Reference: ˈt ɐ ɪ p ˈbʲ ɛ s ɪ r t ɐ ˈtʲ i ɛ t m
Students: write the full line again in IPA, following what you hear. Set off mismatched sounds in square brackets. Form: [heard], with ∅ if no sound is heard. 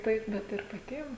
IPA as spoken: ˈt ɐ ɪ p ˈbʲ ɛ [t] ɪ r [p] ɐ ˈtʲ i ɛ [∅] m